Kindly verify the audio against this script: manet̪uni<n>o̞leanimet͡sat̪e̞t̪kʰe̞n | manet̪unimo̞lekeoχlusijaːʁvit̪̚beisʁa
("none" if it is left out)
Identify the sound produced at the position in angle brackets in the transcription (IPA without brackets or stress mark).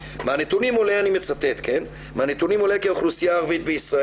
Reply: m